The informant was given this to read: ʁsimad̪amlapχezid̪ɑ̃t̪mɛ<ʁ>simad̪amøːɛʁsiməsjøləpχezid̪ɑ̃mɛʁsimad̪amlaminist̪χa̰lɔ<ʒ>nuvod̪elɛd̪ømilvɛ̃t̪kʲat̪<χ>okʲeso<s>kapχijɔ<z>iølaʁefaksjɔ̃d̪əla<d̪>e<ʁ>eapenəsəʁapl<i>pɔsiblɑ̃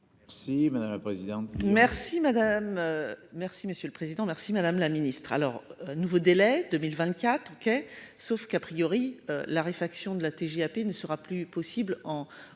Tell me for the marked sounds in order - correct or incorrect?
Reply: correct, incorrect, correct, incorrect, incorrect, incorrect, incorrect, incorrect

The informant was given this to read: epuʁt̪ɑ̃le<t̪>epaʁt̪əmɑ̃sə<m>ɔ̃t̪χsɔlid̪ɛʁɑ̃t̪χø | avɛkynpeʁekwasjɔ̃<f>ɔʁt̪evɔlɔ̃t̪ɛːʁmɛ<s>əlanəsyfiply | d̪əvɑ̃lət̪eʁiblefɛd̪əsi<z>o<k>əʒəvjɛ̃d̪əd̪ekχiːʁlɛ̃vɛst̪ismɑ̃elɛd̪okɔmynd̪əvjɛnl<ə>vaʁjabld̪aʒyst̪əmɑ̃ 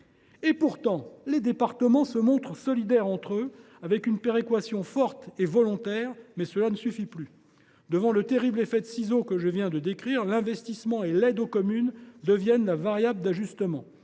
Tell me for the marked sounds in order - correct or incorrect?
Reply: incorrect, correct, correct, correct, correct, correct, incorrect

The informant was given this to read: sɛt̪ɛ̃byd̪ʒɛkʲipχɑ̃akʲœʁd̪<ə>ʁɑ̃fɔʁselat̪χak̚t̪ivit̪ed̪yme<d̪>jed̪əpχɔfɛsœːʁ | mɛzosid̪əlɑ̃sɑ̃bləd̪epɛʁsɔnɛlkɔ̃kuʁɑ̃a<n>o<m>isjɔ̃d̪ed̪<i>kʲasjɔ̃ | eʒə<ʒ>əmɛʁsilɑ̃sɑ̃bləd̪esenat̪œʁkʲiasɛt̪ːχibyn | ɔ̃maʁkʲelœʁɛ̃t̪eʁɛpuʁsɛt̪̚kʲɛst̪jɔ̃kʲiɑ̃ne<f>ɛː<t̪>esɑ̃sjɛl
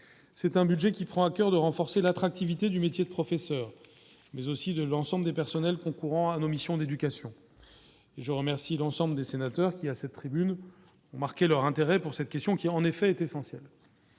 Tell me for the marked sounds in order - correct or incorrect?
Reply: correct, incorrect, correct, correct, incorrect, incorrect, correct, correct

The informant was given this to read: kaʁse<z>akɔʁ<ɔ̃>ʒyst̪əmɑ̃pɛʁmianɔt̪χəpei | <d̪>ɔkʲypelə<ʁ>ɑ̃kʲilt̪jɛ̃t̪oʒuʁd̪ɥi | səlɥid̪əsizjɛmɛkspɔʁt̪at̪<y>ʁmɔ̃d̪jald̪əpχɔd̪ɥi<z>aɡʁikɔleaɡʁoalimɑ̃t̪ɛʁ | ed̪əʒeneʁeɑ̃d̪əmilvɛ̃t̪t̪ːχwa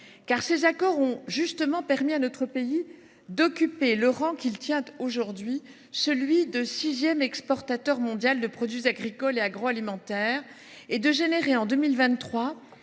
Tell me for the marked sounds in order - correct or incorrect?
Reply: correct, correct, correct, correct, incorrect, correct

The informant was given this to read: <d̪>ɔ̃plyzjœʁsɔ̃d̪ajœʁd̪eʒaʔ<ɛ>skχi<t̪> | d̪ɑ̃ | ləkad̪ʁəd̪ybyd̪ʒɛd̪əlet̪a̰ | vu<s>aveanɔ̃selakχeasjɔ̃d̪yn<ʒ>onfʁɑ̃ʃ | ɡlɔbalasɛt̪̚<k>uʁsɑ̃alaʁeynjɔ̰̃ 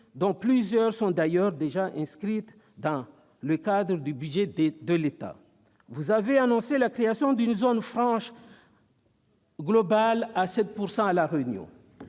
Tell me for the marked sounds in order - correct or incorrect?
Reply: correct, incorrect, correct, incorrect, incorrect, incorrect

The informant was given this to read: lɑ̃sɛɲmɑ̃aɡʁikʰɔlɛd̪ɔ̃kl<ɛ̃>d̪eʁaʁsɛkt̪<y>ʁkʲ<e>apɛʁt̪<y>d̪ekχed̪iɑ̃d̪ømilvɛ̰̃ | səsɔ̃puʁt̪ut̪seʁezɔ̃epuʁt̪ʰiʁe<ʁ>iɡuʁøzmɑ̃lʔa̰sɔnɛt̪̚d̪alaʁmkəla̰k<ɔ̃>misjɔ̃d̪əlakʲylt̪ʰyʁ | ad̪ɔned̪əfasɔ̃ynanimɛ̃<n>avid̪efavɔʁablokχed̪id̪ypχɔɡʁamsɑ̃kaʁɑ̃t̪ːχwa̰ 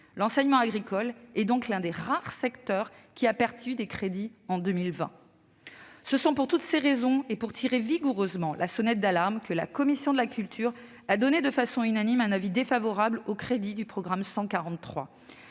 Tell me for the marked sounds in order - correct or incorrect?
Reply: correct, incorrect, incorrect, correct, incorrect, incorrect, correct

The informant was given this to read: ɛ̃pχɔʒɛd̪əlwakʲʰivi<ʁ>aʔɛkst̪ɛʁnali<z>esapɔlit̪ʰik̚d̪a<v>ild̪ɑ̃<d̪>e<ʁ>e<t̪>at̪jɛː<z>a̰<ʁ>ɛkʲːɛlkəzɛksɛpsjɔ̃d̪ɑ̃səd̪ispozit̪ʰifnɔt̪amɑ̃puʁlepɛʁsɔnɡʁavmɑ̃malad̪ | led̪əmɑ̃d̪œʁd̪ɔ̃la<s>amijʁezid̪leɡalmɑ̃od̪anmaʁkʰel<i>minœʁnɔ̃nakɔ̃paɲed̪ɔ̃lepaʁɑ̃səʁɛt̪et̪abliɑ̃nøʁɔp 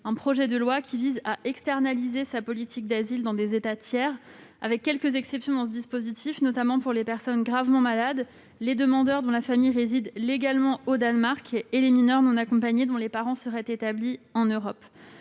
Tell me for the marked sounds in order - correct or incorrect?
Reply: incorrect, correct, incorrect, correct, incorrect, correct, incorrect, incorrect, incorrect, incorrect

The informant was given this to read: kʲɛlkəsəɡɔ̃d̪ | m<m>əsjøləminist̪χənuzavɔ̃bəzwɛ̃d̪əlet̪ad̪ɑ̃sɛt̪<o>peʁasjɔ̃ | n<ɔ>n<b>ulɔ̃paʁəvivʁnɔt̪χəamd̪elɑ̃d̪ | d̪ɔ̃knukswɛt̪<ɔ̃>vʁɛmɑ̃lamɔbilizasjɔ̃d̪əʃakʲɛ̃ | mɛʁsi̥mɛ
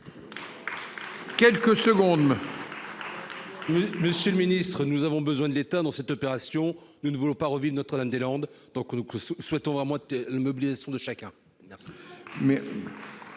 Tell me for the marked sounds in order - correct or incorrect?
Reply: correct, incorrect, incorrect, incorrect, correct

